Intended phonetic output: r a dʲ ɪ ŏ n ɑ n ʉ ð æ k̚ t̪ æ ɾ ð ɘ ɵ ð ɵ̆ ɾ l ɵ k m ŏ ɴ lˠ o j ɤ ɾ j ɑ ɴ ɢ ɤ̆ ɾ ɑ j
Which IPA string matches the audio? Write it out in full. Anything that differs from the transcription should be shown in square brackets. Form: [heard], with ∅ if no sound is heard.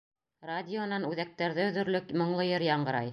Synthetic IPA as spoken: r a dʲ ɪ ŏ n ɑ n ʉ ð æ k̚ t̪ æ ɾ ð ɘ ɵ ð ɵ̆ ɾ l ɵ k m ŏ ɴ lˠ [ɤ] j ɤ ɾ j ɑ ɴ ɢ ɤ̆ ɾ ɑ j